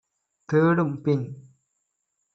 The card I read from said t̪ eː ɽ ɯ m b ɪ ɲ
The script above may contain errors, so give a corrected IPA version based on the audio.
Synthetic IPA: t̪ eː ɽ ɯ m p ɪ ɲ